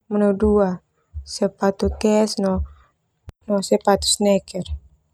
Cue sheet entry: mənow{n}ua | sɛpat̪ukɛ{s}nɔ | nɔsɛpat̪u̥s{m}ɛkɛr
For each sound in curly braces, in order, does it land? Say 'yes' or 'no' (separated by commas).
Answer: no, yes, no